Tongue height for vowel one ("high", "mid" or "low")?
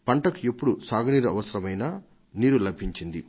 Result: low